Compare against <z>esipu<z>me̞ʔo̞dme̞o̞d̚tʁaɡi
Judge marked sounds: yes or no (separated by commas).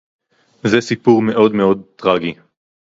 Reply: yes, no